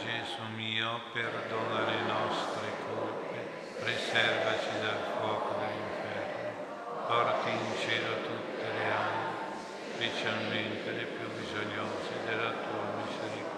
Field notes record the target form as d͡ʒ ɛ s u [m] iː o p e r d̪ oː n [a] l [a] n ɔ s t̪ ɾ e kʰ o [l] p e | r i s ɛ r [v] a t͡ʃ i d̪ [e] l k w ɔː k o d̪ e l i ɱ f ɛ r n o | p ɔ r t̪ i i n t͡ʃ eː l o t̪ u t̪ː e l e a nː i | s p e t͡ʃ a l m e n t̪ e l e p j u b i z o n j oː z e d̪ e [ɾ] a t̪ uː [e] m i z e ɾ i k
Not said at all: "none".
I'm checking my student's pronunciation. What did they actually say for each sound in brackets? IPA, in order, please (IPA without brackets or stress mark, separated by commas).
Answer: m, a, e, l, v, a, l, a